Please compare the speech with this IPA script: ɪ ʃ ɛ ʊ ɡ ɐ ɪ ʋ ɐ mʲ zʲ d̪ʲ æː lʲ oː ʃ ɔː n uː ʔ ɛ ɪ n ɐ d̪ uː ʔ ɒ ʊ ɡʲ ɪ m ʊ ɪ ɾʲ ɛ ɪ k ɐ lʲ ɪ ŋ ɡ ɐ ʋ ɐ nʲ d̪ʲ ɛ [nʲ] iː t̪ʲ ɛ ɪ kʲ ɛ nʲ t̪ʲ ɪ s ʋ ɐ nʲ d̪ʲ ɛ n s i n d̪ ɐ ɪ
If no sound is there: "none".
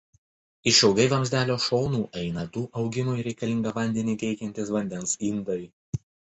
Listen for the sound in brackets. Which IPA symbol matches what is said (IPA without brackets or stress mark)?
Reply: nʲ